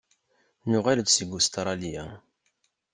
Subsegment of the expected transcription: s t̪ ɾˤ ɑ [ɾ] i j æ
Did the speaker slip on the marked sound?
yes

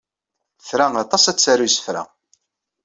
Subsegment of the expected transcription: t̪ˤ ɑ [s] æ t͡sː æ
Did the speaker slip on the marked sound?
no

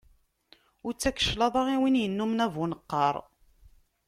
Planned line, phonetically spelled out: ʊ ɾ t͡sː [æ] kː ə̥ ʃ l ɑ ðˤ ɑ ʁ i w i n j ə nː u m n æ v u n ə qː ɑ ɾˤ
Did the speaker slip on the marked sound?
no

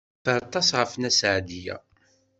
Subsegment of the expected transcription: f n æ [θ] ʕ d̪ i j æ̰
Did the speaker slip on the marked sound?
yes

